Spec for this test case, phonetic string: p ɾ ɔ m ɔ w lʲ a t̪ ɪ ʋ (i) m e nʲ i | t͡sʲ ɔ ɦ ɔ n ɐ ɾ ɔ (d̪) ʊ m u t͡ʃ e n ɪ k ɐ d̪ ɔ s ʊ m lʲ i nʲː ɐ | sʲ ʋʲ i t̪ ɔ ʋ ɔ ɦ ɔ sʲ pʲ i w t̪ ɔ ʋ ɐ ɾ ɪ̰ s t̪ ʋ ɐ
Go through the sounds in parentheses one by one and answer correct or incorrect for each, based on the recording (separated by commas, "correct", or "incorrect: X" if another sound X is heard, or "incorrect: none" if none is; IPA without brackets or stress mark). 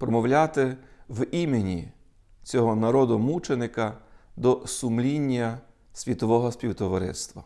correct, correct